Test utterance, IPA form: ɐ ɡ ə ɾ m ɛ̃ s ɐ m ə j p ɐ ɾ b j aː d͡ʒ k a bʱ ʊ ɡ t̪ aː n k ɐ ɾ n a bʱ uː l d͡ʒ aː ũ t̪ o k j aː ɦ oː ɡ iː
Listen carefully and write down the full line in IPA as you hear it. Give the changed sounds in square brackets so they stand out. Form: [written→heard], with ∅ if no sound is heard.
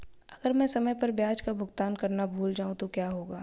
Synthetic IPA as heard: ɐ ɡ ə ɾ m ɛ̃ s ɐ m ə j p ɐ ɾ b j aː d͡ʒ k a bʱ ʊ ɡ t̪ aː n k ɐ ɾ n a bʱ uː l d͡ʒ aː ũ t̪ o k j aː ɦ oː ɡ [iː→aː]